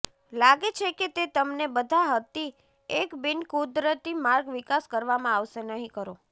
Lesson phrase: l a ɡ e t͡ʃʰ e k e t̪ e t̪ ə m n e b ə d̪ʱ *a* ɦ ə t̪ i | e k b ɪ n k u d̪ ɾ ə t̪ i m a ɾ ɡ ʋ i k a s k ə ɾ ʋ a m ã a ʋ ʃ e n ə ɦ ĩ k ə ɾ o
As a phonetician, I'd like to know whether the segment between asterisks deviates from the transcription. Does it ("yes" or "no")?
no